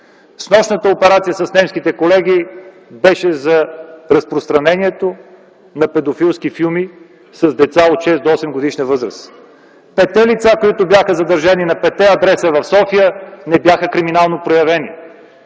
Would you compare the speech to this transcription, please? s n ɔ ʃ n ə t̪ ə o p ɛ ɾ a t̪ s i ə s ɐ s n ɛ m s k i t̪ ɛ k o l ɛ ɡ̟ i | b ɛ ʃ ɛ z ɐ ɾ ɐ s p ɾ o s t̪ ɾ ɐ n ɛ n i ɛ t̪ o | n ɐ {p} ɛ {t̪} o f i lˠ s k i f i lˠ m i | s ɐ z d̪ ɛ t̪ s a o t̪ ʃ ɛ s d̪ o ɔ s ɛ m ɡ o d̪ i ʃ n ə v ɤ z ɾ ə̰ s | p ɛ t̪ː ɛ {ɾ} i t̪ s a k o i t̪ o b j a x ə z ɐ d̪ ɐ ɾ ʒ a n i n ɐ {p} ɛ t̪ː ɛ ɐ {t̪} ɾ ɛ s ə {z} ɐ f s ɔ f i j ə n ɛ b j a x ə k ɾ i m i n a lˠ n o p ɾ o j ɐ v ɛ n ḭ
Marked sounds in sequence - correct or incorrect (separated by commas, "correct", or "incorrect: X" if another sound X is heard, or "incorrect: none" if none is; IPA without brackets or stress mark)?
correct, incorrect: d̪, incorrect: l, correct, incorrect: d̪, incorrect: v